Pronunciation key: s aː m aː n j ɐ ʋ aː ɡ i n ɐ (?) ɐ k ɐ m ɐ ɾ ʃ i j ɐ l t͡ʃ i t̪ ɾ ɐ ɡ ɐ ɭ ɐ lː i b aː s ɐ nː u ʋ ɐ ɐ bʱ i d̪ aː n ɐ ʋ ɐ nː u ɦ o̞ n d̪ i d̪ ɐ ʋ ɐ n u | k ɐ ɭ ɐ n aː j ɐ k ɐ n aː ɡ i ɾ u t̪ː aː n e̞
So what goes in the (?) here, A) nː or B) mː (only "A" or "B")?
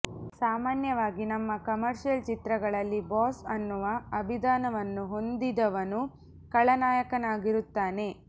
B